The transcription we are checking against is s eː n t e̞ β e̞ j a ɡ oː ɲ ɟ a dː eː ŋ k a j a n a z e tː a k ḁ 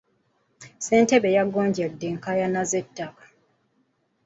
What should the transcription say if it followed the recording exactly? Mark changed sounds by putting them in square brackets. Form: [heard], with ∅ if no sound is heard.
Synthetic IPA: s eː n t e̞ β e̞ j a ɡ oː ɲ ɟ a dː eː ŋ k a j a n a z e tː a k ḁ